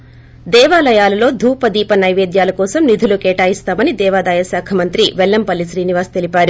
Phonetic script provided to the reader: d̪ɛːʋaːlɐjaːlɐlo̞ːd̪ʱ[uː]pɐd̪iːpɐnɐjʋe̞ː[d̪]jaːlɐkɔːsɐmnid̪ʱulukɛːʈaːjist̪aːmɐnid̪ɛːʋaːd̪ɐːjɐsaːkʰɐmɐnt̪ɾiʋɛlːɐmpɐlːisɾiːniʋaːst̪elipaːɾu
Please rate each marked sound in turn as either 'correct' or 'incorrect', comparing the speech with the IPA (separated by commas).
correct, correct